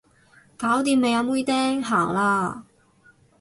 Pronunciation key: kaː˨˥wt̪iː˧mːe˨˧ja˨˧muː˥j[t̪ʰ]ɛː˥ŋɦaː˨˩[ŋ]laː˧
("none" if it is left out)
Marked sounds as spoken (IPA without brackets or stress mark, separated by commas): t̪, ŋ